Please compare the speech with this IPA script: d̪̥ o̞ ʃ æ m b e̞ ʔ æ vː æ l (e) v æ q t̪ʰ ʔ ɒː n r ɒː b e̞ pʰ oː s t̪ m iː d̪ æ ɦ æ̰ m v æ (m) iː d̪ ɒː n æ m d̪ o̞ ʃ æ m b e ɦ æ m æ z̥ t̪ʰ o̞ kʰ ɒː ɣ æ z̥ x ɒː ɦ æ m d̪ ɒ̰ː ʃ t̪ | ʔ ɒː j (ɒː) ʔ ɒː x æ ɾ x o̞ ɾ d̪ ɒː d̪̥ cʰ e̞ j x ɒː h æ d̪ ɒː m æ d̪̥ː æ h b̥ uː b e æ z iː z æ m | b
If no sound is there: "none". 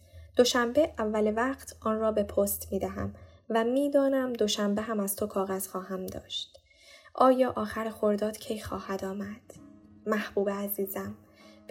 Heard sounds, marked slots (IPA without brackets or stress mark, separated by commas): e, m, ɒː